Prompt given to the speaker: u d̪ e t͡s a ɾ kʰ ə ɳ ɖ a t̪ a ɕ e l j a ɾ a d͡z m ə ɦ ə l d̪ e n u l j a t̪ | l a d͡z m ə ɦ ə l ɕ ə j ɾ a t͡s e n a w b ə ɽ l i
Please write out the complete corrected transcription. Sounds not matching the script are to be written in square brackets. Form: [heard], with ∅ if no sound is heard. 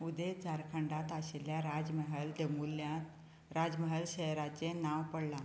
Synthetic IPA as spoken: u d̪ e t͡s a ɾ kʰ ə ɳ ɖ a t̪ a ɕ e l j a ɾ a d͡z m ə ɦ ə l d̪ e [m] u l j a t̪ | [ɾ] a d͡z m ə ɦ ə l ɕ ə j ɾ a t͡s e n a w [p] ə ɽ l [a]